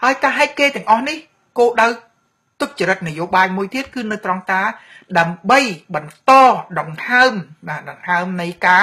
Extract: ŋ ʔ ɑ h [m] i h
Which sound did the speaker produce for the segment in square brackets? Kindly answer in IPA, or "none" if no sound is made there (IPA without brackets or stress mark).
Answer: n